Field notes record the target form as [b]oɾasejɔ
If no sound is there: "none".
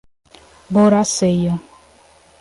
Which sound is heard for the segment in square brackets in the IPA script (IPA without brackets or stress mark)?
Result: b